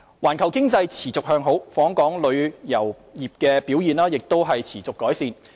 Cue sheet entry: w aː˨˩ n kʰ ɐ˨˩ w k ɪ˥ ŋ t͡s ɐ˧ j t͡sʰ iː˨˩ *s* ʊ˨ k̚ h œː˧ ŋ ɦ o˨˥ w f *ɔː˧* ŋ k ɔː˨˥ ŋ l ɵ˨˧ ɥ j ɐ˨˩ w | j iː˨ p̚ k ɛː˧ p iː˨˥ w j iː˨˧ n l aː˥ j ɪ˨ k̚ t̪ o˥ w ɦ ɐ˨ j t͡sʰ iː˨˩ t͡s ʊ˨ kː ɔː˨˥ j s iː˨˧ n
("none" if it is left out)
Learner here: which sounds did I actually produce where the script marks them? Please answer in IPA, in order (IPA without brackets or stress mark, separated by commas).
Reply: t͡s, ɔː˨˥